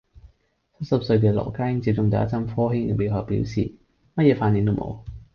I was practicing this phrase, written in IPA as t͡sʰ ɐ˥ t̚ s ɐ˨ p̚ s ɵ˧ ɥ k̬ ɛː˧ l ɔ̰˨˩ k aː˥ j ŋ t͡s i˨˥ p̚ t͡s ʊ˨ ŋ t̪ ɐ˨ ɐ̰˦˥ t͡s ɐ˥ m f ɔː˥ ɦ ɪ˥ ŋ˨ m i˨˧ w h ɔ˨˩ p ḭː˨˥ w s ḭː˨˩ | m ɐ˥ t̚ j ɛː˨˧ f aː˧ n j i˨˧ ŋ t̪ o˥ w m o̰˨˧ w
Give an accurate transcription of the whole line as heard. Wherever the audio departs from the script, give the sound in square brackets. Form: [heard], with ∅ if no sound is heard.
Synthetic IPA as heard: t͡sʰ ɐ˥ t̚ s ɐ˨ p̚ s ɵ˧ ɥ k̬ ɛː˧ l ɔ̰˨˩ k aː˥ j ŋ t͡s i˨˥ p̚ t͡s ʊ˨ ŋ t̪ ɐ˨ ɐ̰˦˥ t͡s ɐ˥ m f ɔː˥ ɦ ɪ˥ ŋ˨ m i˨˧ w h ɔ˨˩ p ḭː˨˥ w s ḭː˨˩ | m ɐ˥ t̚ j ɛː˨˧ f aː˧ n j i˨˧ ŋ t̪ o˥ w m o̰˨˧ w